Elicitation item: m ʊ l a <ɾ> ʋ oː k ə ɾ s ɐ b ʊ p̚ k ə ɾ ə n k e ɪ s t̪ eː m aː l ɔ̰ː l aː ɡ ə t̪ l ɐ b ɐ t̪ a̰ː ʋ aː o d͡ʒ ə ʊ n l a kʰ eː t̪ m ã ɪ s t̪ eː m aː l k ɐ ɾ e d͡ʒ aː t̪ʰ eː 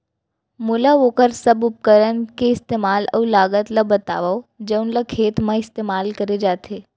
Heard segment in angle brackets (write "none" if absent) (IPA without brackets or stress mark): none